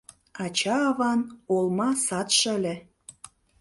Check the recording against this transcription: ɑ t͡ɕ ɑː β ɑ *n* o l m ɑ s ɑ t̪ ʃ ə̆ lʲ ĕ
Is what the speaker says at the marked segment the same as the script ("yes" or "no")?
yes